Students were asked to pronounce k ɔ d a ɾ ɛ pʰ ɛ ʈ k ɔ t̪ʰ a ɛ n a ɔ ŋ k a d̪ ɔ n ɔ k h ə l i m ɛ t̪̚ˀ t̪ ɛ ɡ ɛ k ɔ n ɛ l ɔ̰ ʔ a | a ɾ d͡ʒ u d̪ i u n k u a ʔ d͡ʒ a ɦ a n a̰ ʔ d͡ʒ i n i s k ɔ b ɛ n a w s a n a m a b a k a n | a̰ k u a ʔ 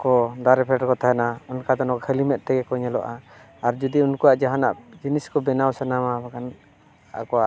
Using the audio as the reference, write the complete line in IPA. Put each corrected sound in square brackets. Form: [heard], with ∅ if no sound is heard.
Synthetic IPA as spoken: k ɔ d a ɾ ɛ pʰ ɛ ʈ k ɔ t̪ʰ a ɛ n a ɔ [n] k a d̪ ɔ n ɔ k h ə l i m ɛ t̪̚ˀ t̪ ɛ ɡ ɛ k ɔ [ɲ] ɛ l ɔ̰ ʔ a | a ɾ d͡ʒ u d̪ i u n k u a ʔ d͡ʒ a ɦ a n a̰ ʔ d͡ʒ i n i s k ɔ b ɛ n a w s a n a m a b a k a n | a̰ k [ɔ] a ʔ